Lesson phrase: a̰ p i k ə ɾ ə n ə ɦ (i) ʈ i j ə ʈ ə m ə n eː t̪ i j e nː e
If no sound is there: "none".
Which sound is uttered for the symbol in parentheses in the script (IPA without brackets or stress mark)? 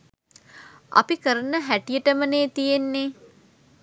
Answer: æ